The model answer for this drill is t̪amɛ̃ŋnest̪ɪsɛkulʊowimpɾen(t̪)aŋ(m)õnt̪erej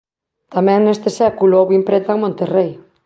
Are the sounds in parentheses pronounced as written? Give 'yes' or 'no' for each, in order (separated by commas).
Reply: yes, yes